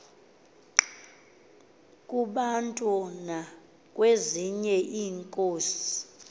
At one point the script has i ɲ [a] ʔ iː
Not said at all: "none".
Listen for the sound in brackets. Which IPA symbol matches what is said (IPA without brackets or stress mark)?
ɛ